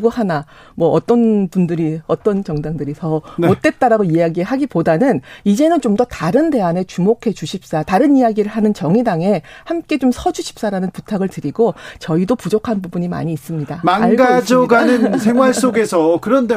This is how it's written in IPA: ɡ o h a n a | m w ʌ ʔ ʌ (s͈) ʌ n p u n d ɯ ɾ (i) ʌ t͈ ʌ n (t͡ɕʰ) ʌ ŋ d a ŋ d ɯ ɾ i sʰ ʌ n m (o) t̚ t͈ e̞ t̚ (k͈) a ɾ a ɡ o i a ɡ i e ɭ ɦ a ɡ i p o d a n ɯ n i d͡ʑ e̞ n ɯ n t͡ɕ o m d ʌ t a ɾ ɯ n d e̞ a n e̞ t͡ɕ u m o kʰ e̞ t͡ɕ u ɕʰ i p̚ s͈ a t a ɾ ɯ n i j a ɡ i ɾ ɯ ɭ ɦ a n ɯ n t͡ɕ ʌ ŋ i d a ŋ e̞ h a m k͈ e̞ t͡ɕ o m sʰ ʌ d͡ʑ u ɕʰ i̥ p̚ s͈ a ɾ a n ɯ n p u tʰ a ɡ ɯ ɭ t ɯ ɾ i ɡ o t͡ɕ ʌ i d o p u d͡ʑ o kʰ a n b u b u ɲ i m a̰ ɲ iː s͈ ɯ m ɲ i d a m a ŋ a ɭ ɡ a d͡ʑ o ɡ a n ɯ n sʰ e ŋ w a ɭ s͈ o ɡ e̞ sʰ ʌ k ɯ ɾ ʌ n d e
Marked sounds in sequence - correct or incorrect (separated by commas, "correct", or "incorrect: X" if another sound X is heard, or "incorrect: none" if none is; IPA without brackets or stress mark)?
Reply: incorrect: t͈, correct, incorrect: t͡ɕ, correct, incorrect: t͈